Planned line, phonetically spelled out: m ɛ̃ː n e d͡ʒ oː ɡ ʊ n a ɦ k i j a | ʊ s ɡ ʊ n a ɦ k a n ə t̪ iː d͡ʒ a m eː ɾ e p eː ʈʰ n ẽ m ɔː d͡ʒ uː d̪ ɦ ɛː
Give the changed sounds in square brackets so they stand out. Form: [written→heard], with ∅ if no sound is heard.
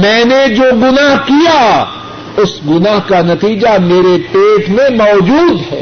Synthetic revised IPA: m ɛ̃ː n e d͡ʒ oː ɡ ʊ n a ɦ k i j a | ʊ s ɡ ʊ n a ɦ k a n [ə→ɐ] t̪ iː d͡ʒ a m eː ɾ e p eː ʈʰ [n→m] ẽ m ɔː d͡ʒ uː d̪ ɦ ɛː